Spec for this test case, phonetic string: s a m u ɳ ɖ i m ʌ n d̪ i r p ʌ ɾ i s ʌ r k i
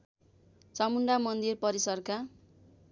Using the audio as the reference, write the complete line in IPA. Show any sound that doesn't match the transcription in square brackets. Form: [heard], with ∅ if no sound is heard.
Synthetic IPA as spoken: [t͡s] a m u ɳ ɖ [a] m ʌ n d̪ i r p ʌ ɾ i s ʌ r k [a]

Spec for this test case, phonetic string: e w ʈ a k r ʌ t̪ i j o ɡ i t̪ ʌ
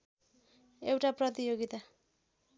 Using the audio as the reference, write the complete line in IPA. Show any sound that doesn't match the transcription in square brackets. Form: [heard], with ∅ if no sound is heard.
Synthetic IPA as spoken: e w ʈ a [p] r ʌ t̪ i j o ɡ i t̪ [a]

